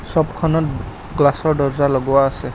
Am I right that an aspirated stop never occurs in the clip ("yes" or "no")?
no